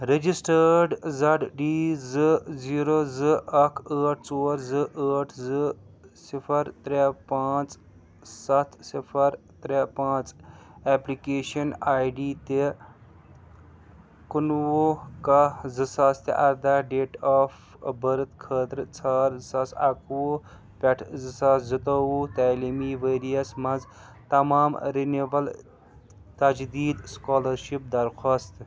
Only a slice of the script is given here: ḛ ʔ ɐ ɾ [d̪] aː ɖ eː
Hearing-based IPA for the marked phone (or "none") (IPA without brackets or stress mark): d̪